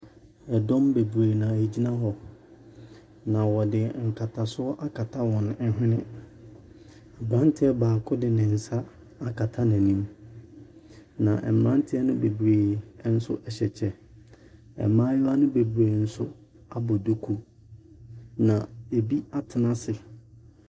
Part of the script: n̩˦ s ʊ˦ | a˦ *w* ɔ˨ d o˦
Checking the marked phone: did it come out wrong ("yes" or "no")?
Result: yes